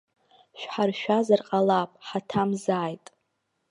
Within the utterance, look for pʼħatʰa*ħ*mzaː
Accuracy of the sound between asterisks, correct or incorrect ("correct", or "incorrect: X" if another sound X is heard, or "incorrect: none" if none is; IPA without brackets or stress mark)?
incorrect: none